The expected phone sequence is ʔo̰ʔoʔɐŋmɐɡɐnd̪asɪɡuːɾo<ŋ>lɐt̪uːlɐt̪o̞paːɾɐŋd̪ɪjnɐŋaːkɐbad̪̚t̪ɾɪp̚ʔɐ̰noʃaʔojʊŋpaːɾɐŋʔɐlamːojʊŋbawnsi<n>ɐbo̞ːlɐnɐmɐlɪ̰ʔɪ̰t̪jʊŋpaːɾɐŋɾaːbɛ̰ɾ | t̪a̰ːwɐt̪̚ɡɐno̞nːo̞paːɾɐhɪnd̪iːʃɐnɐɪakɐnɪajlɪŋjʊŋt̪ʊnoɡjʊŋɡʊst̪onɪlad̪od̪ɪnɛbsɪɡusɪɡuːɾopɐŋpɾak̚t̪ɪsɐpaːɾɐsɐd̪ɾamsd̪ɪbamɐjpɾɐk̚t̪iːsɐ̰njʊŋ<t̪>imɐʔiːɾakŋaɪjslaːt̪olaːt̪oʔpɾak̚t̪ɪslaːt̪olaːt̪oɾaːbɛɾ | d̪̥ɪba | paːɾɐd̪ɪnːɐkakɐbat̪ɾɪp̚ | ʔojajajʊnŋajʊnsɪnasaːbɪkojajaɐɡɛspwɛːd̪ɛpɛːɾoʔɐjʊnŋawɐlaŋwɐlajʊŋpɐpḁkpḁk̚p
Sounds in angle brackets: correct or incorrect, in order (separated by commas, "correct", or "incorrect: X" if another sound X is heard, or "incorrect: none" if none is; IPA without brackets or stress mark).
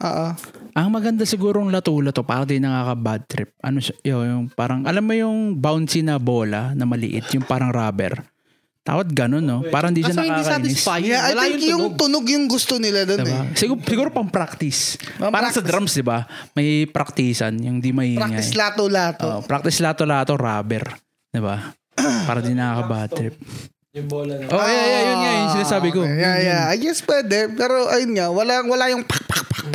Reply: correct, correct, incorrect: d̪